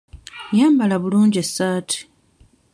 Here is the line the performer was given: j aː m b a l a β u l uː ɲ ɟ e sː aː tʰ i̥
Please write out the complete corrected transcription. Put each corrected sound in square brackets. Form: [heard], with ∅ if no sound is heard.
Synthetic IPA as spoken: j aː m b a l a β u l uː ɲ ɟ e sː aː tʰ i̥

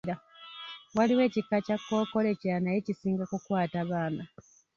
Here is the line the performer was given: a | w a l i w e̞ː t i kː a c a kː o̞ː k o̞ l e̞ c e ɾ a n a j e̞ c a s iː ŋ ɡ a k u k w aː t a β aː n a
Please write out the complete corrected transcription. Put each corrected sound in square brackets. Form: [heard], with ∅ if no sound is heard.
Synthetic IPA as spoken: a | w a l i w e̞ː [c] i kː a c a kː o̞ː k o̞ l e̞ c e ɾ a n a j e̞ c [i] s iː ŋ ɡ a k u k w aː t a β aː n a

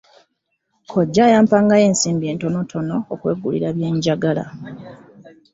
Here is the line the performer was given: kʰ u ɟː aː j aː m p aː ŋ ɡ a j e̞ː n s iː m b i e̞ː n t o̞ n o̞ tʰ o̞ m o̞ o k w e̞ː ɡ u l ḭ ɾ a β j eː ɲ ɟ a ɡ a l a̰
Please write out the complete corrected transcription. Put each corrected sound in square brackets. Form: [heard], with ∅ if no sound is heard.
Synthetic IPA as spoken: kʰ [o] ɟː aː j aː m p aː ŋ ɡ a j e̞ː n s iː m b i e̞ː n t o̞ n o̞ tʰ o̞ [n] o̞ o k w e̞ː ɡ u l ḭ ɾ a β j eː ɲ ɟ a ɡ a l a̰

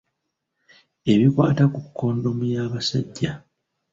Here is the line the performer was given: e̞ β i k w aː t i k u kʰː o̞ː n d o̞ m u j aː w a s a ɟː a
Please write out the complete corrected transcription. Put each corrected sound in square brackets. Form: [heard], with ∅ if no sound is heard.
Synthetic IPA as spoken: e̞ β i k w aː t [a] k u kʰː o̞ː n d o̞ m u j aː [β] a s a ɟː a

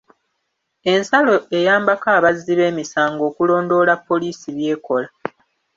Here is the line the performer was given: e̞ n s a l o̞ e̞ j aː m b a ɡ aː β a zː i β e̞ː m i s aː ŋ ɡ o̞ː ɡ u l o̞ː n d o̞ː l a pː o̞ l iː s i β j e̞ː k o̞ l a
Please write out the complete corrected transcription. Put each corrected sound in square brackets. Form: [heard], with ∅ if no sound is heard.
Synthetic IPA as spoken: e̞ n s a l o̞ e̞ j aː m b a [k] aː β a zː i β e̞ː m i s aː ŋ ɡ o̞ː [k] u l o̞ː n d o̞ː l a pː o̞ l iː s i β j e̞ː k o̞ l a

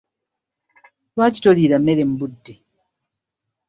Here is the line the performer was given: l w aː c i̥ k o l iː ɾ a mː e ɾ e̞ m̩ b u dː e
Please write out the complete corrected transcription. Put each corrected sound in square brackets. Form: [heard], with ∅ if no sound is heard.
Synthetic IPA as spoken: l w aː c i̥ [t] o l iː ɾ a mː e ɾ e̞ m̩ b u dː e

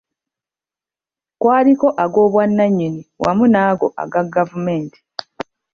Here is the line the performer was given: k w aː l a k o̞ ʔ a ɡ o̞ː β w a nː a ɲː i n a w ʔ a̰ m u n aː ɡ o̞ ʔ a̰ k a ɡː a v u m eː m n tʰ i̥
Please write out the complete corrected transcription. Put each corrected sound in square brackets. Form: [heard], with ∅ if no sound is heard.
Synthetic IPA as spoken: k w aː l [i] k o̞ ʔ a ɡ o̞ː β w a nː a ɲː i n [i] w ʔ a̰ m u n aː ɡ o̞ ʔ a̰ [ɡ] a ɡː a v u m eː [∅] n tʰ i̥

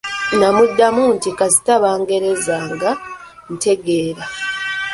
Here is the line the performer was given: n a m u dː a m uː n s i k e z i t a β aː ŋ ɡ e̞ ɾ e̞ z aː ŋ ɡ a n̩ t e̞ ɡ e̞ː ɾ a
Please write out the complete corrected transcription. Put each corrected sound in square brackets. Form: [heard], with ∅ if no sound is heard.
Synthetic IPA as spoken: n a m u dː a m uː n [t] i k [a] z i t a β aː ŋ ɡ e̞ ɾ e̞ z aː ŋ ɡ a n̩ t e̞ ɡ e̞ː ɾ a

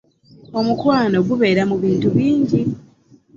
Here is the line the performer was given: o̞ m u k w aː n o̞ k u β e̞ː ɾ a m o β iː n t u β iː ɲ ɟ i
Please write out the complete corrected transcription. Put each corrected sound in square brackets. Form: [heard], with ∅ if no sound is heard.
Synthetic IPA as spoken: o̞ m u k w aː n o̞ [ɡ] u β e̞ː ɾ a m [u] β iː n t u β iː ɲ ɟ i

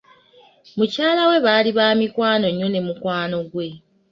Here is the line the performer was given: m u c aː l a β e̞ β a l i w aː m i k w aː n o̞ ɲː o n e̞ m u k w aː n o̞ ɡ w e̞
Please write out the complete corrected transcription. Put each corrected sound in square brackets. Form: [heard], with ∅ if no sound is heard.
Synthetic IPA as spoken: m u c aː l a [w] e̞ β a l i [β] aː m i k w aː n o̞ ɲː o n e̞ m u k w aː n o̞ ɡ w e̞

